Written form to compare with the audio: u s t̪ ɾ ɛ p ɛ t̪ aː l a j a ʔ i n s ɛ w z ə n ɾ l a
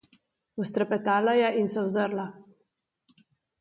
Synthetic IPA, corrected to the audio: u s t̪ ɾ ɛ p ɛ t̪ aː l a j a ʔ i n s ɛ w z ə ɾ l a